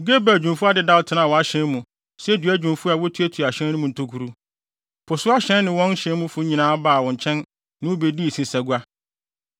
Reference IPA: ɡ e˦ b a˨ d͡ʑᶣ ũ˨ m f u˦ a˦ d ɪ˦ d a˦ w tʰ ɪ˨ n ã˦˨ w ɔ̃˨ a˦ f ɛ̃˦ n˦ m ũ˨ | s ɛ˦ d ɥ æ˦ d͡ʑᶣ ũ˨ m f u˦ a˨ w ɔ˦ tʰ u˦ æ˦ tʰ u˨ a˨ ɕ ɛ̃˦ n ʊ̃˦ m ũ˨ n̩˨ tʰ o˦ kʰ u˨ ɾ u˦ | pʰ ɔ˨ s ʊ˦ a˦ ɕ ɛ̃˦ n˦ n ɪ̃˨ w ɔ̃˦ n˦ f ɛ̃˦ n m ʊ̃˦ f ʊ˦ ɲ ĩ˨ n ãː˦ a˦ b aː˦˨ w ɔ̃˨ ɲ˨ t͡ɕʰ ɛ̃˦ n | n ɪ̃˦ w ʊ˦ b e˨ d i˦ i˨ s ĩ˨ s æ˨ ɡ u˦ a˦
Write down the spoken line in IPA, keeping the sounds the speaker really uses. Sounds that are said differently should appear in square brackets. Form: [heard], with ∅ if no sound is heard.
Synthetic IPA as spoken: ɡ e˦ b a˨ d͡ʑᶣ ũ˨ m f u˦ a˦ d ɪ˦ d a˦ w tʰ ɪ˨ n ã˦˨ w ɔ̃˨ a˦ [ɕ] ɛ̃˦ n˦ m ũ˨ | s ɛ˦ d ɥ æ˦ d͡ʑᶣ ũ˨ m f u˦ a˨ w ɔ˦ tʰ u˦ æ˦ tʰ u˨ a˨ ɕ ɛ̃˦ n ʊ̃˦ m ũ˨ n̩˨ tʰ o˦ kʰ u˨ ɾ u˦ | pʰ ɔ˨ s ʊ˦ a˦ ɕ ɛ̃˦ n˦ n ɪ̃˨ w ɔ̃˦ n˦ [ɕ] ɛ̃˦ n m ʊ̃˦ f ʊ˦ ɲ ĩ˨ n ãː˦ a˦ b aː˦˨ w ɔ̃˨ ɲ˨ t͡ɕʰ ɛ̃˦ n | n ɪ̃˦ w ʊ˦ b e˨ d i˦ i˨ s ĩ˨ s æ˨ ɡ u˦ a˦